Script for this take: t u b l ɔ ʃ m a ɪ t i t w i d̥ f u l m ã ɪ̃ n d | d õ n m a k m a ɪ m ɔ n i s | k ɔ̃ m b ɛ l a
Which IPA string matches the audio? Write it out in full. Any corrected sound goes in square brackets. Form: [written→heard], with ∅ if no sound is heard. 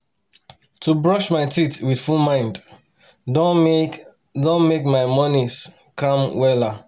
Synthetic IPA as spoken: t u b [l→ɹ] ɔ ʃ m a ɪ t i t w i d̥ f u l m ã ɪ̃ n d | d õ n m [a→e] k m a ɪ m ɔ n i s | k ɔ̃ m [b→w] ɛ l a